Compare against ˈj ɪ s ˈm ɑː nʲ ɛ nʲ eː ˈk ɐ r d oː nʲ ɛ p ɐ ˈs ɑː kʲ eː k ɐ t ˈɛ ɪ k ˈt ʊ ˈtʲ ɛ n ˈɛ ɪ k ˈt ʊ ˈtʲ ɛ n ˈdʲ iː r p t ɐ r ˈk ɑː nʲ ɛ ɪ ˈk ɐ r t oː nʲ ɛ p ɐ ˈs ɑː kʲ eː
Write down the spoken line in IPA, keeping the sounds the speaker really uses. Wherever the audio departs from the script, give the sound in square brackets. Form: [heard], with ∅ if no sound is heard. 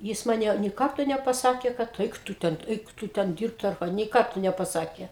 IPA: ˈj ɪ s ˈm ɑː nʲ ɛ nʲ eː ˈk ɐ r [t] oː nʲ ɛ p ɐ ˈs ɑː kʲ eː k ɐ t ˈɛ ɪ k ˈt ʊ ˈtʲ ɛ n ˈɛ ɪ k ˈt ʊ ˈtʲ ɛ n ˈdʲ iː r p t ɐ r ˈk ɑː nʲ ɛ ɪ ˈk ɐ r t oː nʲ ɛ p ɐ ˈs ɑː kʲ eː